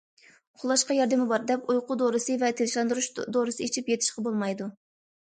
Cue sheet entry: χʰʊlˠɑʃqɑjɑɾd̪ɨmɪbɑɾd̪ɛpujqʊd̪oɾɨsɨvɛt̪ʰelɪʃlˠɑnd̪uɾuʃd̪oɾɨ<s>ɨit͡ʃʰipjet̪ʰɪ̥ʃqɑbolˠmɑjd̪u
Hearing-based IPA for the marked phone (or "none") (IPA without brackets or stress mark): s